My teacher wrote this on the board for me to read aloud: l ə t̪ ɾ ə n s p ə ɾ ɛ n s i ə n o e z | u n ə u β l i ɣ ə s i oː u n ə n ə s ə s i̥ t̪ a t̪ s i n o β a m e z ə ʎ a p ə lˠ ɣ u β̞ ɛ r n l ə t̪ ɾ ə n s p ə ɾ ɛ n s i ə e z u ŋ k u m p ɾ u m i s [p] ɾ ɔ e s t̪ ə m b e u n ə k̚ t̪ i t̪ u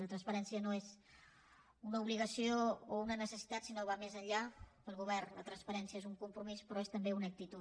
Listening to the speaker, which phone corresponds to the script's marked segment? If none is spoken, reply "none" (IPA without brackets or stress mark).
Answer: p